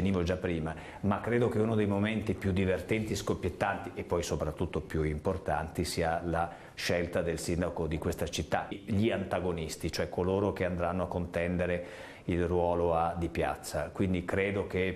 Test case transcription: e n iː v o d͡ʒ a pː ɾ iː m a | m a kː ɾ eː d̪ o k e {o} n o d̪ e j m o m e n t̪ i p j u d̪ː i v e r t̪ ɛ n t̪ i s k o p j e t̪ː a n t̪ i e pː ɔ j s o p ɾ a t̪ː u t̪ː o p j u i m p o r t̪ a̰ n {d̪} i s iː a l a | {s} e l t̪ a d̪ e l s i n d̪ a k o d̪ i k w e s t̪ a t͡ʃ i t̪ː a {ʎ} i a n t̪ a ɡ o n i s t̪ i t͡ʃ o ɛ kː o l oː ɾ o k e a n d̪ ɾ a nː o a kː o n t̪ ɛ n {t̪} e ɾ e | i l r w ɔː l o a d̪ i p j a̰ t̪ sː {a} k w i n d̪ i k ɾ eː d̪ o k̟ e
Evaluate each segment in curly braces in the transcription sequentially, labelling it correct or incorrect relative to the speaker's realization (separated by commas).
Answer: incorrect, incorrect, incorrect, correct, incorrect, correct